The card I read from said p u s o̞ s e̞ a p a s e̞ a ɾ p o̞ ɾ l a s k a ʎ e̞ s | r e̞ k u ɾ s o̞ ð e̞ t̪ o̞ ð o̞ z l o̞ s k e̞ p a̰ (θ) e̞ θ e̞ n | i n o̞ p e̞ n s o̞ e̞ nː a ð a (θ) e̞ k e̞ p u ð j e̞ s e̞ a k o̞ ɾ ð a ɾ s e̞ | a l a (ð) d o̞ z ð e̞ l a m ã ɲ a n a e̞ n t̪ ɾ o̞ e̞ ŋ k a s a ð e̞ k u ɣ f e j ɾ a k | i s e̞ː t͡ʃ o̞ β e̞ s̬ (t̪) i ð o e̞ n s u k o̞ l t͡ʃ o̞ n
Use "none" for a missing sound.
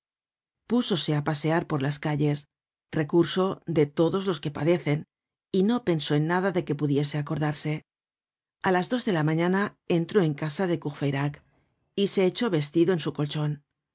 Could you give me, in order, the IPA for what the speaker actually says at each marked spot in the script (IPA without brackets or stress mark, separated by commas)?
ð, ð, z, t̪